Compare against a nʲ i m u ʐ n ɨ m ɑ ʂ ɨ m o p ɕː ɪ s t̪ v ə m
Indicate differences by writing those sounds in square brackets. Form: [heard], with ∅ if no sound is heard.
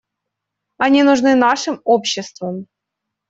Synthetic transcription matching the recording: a nʲ i [n] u ʐ n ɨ [n] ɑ ʂ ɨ m o p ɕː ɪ s t̪ v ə m